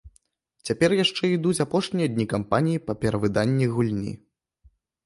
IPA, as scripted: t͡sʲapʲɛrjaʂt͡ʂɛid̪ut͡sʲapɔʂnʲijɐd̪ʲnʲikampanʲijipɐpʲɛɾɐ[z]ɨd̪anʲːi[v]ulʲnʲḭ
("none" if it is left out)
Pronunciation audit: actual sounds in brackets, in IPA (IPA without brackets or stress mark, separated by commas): v, ɣ